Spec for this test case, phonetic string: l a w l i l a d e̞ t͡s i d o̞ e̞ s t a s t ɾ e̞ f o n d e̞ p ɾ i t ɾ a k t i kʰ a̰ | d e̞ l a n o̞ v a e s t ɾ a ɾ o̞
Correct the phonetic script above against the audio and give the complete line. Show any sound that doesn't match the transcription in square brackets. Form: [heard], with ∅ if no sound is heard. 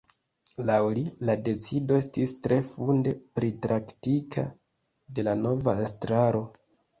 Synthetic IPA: l a w l i l a d e̞ t͡s i d o̞ e̞ s t [i] s t ɾ e̞ f [u] n d e̞ p ɾ i t ɾ a k t i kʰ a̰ | d e̞ l a n o̞ v a e s t ɾ a ɾ o̞

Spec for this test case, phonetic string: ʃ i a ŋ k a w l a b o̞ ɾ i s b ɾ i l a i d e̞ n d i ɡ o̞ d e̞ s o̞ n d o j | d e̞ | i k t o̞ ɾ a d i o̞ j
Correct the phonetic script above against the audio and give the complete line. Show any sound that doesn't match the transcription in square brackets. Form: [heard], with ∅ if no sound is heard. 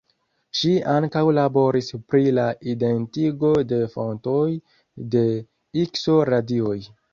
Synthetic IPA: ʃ i a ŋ k a w l a b o̞ ɾ i s [p] ɾ i l a i d e̞ n [t] i ɡ o̞ d e̞ [f] o̞ n [t] o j | d e̞ | i k [s] o̞ ɾ a d i o̞ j

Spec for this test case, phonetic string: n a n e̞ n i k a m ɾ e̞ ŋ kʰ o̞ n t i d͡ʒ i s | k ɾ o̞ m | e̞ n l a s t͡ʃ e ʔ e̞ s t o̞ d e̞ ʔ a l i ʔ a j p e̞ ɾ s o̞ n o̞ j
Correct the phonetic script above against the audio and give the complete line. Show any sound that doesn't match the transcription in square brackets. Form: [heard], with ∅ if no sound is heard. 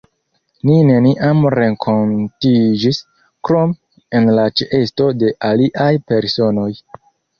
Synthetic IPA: n [i] n e̞ n i [ʔ] a m ɾ e̞ ŋ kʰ o̞ n t i d͡ʒ i s | k ɾ o̞ m | e̞ n l a [∅] t͡ʃ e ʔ e̞ s t o̞ d e̞ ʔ a l i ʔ a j p e̞ ɾ s o̞ n o̞ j

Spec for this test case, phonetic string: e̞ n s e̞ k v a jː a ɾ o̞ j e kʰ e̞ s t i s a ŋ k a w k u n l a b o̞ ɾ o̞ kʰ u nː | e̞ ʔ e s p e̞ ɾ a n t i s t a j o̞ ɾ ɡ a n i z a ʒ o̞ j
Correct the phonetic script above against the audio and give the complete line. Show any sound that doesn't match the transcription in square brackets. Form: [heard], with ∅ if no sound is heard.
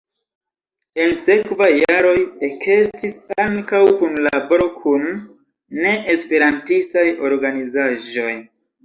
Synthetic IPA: e̞ n s e̞ k v a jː a ɾ o̞ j e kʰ e̞ s t i s a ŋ k a w k u n l a b o̞ ɾ o̞ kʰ u nː | e̞ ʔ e s p e̞ ɾ a n t i s t a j o̞ ɾ ɡ a n i z a ʒ o̞ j

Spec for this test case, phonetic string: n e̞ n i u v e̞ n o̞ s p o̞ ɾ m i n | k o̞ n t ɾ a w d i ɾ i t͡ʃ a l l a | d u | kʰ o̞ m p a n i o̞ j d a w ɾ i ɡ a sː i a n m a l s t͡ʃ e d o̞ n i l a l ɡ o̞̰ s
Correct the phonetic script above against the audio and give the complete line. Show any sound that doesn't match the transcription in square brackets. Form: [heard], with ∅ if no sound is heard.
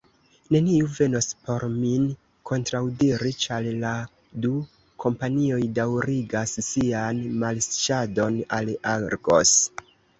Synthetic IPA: n e̞ n i u v e̞ n o̞ s p o̞ ɾ m i n | k o̞ n t ɾ a w d i ɾ i t͡ʃ a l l a | d u | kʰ o̞ m p a n i o̞ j d a w ɾ i ɡ a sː i a n m a l s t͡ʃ [a] d o̞ n [a] l a [ɾ] ɡ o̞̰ s

